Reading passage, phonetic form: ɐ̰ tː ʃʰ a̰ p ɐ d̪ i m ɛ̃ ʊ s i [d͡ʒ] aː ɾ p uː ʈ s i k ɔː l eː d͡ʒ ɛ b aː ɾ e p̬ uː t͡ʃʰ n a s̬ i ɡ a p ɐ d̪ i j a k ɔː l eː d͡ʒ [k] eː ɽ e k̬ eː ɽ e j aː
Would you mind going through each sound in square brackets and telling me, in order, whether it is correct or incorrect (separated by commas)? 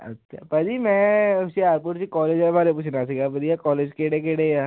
incorrect, correct